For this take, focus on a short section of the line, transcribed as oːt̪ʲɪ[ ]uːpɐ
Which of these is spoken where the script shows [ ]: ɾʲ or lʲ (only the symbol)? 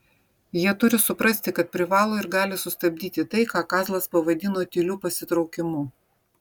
lʲ